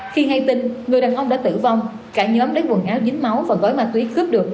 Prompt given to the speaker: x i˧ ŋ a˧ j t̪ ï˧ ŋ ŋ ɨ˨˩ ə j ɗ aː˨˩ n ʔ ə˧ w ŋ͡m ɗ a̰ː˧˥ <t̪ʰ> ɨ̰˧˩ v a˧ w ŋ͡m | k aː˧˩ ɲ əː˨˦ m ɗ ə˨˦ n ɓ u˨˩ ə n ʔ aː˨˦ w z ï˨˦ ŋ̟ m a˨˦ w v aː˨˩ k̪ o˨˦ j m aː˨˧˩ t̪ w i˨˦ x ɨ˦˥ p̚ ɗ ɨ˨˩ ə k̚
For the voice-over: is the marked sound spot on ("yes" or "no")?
no